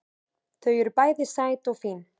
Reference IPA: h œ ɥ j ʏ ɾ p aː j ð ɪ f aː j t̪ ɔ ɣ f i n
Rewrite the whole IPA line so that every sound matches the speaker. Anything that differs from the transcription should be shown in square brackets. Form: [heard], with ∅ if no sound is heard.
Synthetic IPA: [θ] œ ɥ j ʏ ɾ p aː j ð ɪ [s] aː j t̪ ɔ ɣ f i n